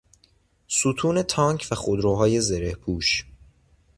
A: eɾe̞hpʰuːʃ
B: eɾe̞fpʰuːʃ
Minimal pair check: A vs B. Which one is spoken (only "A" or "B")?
A